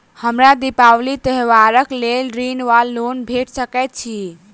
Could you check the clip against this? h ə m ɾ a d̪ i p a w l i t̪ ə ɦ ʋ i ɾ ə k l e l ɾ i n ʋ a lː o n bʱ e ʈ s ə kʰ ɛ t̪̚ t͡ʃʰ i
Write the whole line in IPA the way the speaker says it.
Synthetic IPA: h ə m ɾ a d̪ i p a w l i t̪ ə ɦ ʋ a ɾ ə k l e l ɾ i n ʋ a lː o n bʱ e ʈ s ə k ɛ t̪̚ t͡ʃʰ i

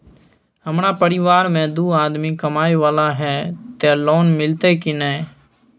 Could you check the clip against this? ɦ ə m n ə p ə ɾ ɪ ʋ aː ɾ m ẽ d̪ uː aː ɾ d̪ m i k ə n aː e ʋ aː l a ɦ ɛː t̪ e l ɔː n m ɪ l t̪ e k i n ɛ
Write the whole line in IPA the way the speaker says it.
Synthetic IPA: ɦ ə m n a p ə ɾ ɪ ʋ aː ɾ m ẽ d̪ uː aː d̪ m i k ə m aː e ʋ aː l a ɦ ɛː t̪ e l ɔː n m ɪ l t̪ e k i n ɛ

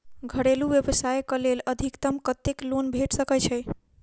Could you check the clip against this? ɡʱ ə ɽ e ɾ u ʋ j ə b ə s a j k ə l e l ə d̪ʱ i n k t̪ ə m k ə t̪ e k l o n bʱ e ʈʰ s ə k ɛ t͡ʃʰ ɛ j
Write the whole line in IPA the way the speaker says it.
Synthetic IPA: ɡʱ ə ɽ e l u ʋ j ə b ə s a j k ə l e l ə d̪ʱ i k t̪ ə m k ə t̪ e k l o n bʱ e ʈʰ s ə k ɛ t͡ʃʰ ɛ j

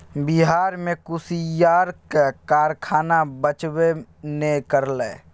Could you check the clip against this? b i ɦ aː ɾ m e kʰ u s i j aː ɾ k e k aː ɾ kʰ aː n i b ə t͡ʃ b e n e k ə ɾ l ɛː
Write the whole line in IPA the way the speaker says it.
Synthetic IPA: b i ɦ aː ɾ m e k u s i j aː ɾ k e k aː ɾ kʰ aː n a b ə t͡ʃ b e n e k ə ɾ l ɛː

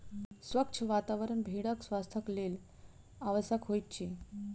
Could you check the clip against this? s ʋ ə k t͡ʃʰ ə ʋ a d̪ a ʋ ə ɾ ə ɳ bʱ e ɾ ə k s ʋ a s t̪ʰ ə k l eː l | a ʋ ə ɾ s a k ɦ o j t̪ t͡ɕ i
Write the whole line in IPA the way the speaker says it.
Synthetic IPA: s ʋ ə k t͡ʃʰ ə ʋ a t̪ a ʋ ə ɾ ə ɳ bʱ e ɽ ə k s ʋ a s t̪ʰ ə k l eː l | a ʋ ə s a k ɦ o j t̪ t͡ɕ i

